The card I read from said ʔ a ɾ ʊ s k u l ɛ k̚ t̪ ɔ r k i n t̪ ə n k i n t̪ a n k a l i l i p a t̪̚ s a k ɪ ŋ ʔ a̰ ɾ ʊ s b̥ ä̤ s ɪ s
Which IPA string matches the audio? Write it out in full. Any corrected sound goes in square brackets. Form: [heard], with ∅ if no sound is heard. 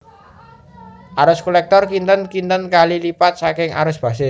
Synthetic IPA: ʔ a ɾ ʊ s k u l ɛ k̚ t̪ ɔ r k i n t̪ ə n k i n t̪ [ə] n k a l i l i p a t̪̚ s a k ɪ ŋ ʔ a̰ ɾ ʊ s b̥ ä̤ s ɪ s